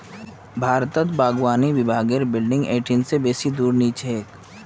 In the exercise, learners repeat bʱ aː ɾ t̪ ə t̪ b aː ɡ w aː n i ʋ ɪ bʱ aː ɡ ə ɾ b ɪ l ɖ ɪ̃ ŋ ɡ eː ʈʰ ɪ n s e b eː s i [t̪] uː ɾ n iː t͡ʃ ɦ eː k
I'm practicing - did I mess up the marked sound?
yes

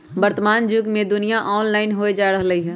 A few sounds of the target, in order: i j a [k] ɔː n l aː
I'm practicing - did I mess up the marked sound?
yes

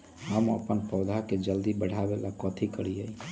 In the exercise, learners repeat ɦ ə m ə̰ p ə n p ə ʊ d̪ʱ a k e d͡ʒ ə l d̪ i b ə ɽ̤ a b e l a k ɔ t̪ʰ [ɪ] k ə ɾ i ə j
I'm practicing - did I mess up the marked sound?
yes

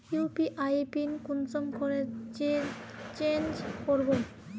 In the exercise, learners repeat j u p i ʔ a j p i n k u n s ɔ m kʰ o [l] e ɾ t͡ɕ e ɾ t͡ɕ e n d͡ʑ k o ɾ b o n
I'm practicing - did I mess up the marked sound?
yes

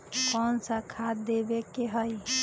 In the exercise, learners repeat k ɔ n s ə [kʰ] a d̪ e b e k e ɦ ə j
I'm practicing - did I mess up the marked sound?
no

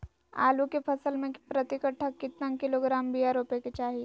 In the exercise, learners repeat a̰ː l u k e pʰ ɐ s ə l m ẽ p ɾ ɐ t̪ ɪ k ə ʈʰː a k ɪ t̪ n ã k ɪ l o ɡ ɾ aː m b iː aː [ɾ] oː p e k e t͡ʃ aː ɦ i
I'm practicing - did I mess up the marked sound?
no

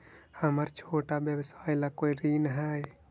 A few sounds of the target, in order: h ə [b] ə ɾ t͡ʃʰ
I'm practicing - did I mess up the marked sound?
yes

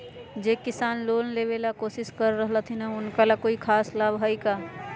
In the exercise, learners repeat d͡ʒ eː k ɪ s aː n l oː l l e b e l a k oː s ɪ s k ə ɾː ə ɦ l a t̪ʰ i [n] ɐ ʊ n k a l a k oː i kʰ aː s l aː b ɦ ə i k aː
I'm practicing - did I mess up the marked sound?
no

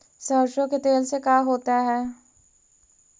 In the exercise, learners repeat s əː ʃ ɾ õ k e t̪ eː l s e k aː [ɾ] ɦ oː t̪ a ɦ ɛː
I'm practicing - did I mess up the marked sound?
yes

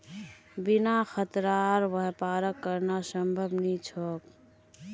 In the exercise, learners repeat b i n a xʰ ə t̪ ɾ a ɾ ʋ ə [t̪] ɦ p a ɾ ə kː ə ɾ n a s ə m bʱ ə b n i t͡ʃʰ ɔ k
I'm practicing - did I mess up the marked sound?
yes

